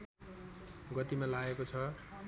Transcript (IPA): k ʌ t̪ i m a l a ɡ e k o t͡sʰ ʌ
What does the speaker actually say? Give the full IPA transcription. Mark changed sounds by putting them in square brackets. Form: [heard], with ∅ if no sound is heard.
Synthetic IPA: [ɡ] ʌ t̪ i m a l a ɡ e k o t͡sʰ ʌ